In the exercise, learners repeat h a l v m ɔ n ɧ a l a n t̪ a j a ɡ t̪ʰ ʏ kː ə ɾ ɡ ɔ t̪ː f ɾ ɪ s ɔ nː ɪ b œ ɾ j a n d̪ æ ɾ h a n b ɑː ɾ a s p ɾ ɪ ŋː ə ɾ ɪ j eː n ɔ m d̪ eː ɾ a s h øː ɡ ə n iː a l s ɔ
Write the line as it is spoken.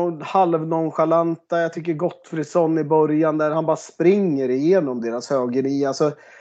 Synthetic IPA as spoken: h a l v n ɔ n ɧ a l a n t̪ a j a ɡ t̪ʰ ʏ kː ə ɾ ɡ ɔ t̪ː f ɾ ɪ s ɔ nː ɪ b œ ɾ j a n d̪ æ ɾ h a n b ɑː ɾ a s p ɾ ɪ ŋː ə ɾ ɪ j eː n ɔ m d̪ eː ɾ a s h øː ɡ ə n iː a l s ɔ